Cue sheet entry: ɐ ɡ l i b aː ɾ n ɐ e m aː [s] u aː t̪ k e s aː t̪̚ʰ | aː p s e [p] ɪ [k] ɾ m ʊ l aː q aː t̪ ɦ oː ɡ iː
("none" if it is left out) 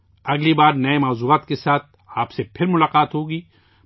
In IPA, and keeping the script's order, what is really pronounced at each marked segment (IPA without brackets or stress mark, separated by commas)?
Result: z, pʰ, none